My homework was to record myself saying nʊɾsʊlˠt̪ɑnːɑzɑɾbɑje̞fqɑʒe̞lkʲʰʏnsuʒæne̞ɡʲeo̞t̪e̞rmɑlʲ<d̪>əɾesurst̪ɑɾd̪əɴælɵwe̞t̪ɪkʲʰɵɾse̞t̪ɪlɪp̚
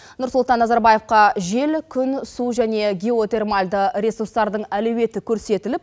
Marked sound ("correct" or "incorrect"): correct